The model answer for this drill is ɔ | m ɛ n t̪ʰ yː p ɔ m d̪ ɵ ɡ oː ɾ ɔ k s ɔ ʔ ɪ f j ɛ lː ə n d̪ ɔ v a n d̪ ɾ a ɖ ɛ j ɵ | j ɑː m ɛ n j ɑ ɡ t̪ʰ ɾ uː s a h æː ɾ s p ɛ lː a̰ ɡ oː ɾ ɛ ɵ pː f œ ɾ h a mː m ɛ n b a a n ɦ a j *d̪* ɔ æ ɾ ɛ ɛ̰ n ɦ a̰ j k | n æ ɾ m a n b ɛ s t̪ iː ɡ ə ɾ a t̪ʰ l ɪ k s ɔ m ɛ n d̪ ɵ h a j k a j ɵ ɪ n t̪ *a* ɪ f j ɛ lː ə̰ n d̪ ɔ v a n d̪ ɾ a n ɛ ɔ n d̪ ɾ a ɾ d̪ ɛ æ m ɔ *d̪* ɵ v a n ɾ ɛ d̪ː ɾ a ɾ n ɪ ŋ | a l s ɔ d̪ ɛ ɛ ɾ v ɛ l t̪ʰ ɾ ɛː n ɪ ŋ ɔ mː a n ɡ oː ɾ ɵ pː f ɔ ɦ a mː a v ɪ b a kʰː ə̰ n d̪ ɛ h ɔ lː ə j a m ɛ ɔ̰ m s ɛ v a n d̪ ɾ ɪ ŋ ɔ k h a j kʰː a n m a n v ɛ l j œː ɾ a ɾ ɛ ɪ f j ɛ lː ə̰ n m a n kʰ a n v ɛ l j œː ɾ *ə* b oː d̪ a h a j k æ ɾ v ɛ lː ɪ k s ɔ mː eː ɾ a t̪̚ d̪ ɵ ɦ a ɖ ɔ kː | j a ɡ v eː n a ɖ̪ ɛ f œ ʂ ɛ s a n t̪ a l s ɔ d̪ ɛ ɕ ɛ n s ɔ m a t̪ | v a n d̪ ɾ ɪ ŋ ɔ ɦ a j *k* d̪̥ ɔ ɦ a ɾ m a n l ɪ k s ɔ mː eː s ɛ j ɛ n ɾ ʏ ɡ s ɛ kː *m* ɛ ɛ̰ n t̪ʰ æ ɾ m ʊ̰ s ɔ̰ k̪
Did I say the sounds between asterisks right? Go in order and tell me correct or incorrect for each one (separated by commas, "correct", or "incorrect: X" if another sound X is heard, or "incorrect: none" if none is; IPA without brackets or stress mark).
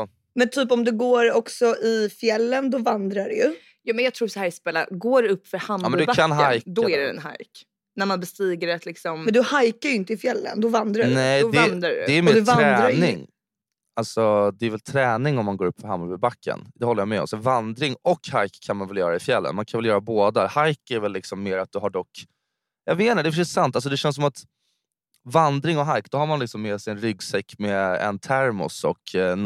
correct, incorrect: ə, correct, incorrect: a, correct, correct